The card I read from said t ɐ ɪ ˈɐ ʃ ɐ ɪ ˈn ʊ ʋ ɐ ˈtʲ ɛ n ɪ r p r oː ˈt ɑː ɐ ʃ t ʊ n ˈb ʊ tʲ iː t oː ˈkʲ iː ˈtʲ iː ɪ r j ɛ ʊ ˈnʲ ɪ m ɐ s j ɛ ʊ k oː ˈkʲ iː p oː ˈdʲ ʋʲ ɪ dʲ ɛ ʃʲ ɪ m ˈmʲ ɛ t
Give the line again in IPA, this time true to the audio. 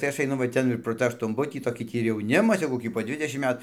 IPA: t ɐ ɪ ˈɐ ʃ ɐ ɪ ˈn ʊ ʋ ɐ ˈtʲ ɛ n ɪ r p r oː ˈt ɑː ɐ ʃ t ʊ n ˈb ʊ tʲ iː t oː ˈkʲ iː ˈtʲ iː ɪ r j ɛ ʊ ˈnʲ ɪ m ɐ s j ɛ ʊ k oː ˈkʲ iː p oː ˈdʲ ʋʲ ɪ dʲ ɛ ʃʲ ɪ m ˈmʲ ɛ t